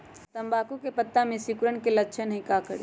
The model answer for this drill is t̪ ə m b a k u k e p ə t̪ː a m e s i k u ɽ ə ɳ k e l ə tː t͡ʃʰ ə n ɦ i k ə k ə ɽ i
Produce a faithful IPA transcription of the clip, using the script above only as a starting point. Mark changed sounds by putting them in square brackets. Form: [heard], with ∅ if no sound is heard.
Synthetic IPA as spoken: t̪ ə m b a k u k e p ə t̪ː a m e s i k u [ɾ] ə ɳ k e l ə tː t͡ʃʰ ə n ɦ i k [a] k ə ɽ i